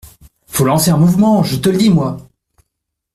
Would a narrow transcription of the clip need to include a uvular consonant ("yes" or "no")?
no